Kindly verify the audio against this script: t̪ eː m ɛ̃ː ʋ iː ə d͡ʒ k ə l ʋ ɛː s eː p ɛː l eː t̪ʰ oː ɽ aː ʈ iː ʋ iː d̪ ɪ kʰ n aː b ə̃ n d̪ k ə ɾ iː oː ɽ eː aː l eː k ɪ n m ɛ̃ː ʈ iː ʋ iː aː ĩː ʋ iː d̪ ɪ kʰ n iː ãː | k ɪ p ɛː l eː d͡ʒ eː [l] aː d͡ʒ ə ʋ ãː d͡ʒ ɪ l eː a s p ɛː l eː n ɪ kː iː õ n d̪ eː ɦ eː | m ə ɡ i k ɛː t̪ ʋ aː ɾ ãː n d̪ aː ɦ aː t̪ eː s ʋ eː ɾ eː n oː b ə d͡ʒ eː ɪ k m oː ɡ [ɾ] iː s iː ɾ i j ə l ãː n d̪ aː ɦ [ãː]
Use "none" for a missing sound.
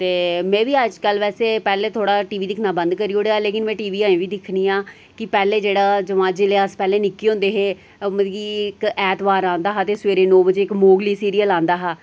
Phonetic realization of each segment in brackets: ɽ, l, aː

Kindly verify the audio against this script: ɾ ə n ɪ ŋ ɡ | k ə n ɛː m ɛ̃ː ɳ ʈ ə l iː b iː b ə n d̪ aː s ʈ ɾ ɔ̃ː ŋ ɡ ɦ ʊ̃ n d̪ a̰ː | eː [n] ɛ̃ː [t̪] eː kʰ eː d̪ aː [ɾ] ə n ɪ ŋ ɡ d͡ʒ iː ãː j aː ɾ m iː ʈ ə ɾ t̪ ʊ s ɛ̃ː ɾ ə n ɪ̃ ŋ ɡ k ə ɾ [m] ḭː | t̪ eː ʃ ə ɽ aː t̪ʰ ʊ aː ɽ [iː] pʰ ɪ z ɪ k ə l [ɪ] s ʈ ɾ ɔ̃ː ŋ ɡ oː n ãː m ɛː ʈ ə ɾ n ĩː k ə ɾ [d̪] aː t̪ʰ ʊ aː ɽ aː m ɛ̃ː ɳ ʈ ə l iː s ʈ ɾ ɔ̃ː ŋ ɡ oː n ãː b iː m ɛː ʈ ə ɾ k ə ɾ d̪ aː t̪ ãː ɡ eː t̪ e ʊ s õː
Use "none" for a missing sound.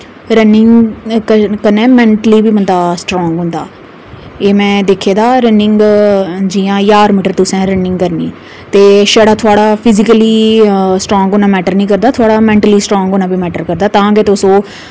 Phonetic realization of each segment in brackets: m, d̪, ɾ, n, aː, i, d̪

